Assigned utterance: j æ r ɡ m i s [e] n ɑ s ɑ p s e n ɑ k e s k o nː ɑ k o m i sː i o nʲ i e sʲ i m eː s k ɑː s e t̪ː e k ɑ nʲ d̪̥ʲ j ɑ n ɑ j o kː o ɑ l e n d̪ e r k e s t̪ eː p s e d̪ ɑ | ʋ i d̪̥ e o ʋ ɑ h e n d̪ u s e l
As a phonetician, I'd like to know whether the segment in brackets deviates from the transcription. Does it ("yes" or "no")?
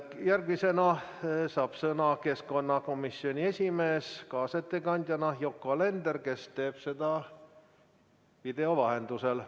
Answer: no